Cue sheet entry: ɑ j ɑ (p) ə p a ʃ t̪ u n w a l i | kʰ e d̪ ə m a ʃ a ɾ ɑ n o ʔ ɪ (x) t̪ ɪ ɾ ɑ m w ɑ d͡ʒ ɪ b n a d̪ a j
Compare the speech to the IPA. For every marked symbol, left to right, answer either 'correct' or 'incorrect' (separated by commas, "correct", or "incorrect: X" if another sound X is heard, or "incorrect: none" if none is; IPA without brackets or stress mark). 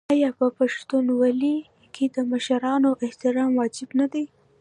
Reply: correct, incorrect: h